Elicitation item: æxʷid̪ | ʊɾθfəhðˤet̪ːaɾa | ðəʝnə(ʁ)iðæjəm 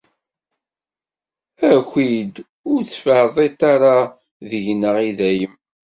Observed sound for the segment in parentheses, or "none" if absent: ʁ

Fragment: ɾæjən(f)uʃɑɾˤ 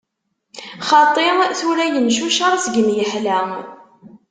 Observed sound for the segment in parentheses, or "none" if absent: ʃ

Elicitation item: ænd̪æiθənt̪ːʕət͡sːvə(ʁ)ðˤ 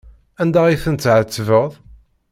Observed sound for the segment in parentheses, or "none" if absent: ʁ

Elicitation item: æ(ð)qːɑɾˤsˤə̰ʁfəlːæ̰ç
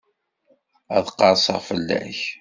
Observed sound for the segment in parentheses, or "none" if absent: ð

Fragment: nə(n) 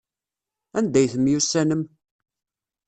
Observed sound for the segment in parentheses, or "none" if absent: m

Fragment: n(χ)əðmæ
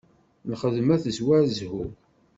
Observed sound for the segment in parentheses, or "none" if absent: χ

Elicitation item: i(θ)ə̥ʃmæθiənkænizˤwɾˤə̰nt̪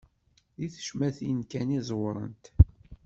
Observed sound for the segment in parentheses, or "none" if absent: θ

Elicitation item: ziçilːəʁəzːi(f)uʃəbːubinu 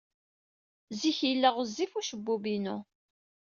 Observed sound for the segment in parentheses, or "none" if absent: f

